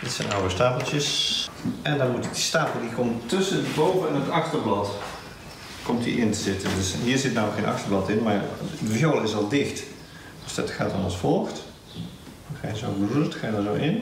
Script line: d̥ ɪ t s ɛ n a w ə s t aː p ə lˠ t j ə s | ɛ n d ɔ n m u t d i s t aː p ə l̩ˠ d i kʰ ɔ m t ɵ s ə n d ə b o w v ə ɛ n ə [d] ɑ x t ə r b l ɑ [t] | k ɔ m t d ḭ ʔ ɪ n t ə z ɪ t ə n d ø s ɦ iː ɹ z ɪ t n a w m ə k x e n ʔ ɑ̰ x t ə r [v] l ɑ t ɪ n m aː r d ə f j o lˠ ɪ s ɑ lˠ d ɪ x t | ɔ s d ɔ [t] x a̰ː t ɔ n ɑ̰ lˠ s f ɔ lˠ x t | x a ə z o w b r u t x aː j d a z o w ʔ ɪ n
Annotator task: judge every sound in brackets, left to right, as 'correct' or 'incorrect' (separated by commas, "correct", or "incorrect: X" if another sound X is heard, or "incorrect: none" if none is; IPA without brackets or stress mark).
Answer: incorrect: t, correct, incorrect: b, correct